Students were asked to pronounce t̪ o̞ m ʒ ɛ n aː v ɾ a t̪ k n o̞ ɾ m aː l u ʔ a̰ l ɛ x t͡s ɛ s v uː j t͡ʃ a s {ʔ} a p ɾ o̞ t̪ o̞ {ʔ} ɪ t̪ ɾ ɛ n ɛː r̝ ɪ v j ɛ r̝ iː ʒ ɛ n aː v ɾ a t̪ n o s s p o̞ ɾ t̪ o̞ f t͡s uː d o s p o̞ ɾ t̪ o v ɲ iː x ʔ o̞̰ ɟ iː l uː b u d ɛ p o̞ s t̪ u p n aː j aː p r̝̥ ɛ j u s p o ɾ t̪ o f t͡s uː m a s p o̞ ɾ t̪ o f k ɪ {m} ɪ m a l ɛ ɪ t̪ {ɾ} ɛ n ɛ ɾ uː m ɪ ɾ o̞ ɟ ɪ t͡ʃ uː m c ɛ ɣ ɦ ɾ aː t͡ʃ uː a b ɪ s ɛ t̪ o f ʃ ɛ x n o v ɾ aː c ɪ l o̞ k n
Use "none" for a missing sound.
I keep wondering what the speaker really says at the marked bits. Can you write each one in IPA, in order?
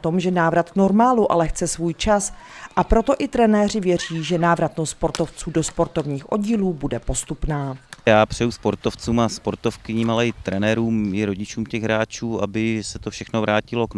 ʔ, ʔ, ɲ, ɾ

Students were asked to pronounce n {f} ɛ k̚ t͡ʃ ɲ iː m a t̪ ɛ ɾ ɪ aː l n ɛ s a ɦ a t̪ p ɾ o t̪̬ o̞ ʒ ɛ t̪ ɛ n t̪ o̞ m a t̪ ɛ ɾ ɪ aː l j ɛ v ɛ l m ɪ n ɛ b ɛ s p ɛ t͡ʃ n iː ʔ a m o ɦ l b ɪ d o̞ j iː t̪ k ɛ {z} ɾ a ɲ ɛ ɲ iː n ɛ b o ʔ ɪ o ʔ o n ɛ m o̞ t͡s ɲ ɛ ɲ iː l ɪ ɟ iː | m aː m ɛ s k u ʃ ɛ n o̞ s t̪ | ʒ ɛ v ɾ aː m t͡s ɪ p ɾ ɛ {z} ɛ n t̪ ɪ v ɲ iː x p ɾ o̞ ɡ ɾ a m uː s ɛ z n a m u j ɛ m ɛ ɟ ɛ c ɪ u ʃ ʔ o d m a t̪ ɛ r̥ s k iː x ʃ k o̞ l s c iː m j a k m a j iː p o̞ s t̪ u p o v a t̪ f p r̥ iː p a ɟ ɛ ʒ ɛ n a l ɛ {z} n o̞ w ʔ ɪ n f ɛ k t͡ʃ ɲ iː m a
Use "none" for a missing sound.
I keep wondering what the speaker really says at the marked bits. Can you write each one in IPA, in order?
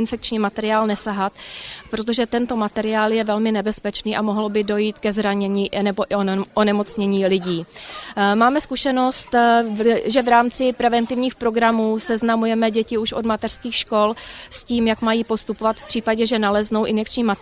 f, z, v, z

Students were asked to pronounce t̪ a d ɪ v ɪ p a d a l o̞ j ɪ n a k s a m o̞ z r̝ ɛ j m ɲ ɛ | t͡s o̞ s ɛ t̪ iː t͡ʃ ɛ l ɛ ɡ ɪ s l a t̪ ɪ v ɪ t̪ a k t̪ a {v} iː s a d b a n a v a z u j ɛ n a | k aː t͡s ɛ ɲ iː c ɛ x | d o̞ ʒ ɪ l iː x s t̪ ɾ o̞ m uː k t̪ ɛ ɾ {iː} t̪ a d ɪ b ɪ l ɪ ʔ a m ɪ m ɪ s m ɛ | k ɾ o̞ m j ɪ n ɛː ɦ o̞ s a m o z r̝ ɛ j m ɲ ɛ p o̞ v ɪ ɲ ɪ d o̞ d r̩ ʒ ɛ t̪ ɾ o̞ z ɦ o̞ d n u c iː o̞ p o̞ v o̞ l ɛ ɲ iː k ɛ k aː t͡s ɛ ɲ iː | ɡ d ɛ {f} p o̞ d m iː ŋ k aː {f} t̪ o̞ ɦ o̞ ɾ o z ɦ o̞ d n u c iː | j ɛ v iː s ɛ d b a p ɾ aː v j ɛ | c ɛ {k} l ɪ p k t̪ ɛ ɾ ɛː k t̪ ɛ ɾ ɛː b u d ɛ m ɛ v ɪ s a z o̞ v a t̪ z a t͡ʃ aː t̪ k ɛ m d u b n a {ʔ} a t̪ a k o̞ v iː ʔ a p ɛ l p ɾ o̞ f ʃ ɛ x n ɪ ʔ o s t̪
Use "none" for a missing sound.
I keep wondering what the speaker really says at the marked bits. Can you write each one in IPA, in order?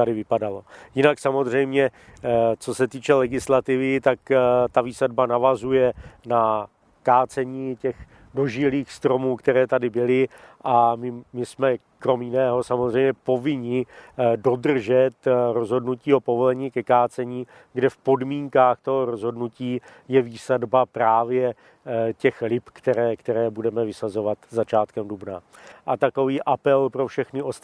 v, ɛː, f, x, x, ʔ

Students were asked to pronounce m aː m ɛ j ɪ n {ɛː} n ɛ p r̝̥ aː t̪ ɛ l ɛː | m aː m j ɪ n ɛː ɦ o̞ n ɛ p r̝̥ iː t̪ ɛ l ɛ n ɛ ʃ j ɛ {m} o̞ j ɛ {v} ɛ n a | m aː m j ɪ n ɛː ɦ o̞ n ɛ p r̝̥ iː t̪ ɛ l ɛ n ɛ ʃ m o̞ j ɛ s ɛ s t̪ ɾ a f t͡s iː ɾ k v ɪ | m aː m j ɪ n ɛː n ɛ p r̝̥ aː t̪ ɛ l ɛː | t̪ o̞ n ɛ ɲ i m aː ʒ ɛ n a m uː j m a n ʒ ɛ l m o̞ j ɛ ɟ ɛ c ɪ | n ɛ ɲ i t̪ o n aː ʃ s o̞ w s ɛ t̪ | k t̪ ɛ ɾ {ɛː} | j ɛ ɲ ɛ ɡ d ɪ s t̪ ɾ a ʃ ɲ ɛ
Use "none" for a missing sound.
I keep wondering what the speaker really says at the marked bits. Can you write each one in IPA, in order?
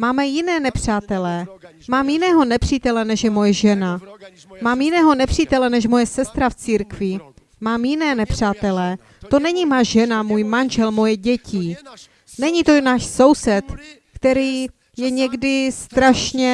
ɛː, m, ʒ, iː

